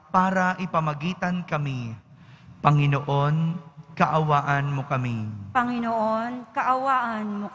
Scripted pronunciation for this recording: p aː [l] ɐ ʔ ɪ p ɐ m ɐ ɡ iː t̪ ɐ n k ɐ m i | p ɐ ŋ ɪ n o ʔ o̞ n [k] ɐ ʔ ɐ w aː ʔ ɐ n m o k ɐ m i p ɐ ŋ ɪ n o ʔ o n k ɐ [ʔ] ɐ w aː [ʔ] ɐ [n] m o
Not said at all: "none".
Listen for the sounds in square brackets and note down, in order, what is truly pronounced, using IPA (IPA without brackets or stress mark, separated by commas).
ɾ, k, ʔ, ʔ, n